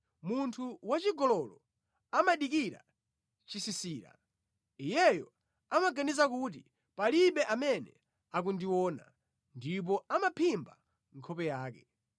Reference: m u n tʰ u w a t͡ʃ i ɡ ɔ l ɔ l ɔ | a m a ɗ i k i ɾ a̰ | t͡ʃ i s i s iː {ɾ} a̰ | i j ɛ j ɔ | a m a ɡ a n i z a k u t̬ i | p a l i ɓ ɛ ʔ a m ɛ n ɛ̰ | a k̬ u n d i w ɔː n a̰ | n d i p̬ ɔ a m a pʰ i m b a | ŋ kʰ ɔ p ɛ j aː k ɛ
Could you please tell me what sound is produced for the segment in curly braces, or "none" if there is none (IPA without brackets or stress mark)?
ɾ